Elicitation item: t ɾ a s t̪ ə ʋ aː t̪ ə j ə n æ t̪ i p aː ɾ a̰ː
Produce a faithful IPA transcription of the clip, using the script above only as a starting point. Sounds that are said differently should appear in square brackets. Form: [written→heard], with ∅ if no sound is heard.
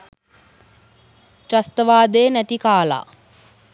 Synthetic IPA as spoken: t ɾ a s t̪ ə ʋ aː [t̪→d̪] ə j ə n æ t̪ i [p→k] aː [ɾ→l] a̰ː